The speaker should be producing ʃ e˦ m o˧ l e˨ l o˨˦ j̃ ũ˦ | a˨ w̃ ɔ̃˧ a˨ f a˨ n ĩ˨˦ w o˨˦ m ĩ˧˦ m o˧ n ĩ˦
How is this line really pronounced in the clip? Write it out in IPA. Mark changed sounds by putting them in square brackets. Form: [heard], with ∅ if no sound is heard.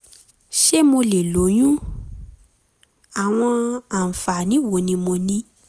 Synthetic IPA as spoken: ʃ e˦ m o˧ l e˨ l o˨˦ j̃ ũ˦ | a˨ w̃ ɔ̃˧ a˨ f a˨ n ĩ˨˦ w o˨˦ [n] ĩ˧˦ m o˧ n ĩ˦